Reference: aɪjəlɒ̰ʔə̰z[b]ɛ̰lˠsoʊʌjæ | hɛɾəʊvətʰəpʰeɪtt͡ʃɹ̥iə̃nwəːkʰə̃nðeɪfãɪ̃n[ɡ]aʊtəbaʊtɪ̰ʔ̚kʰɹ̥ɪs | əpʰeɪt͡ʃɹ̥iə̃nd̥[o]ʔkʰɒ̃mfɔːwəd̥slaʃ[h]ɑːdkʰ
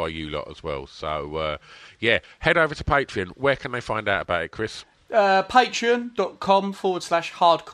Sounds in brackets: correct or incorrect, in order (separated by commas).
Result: incorrect, incorrect, incorrect, correct